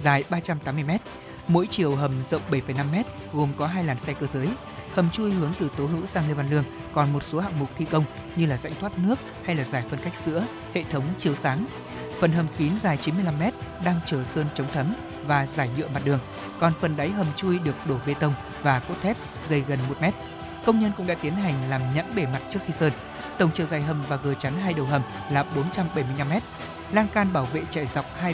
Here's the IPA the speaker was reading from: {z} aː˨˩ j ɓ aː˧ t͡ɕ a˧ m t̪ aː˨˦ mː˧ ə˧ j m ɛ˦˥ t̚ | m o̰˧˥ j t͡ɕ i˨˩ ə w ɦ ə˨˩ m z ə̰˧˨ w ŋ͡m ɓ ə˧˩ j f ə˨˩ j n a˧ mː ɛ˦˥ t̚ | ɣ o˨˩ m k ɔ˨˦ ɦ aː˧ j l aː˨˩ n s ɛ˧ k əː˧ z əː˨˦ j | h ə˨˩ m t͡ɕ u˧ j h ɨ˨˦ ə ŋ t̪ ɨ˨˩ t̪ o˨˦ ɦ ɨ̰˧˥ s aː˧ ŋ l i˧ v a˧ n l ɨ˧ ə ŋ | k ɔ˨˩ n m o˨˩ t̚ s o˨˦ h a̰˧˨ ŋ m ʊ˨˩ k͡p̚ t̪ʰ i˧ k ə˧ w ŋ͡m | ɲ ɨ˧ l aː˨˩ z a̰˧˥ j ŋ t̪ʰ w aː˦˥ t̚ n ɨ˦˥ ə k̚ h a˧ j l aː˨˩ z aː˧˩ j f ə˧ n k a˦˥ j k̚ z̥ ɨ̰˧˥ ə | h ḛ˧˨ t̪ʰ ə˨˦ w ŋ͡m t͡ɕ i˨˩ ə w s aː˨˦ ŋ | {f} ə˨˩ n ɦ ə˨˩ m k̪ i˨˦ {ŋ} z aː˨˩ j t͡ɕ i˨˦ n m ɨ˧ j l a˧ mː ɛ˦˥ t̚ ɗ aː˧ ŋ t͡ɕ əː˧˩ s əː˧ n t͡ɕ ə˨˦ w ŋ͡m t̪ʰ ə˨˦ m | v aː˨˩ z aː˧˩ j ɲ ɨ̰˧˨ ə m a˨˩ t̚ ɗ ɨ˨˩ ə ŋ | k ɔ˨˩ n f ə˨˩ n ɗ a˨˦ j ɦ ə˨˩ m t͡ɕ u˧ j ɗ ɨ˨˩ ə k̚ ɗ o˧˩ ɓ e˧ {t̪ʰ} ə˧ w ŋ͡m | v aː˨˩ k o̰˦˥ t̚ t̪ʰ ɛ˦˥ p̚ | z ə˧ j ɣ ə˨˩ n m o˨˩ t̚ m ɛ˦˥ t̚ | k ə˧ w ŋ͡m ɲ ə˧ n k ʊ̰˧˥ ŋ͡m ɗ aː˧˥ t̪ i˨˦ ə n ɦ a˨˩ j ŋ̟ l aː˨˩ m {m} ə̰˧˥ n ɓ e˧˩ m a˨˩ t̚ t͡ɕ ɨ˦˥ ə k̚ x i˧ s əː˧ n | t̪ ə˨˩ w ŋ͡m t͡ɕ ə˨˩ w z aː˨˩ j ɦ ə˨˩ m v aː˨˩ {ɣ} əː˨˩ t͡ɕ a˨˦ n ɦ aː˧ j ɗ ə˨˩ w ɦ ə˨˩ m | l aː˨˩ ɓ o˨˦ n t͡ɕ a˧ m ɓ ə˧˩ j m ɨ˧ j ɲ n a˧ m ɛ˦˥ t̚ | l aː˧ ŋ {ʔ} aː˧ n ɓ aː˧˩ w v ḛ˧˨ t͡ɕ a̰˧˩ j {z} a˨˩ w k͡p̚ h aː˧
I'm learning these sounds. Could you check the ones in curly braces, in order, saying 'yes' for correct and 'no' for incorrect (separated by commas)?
yes, yes, no, no, no, yes, no, yes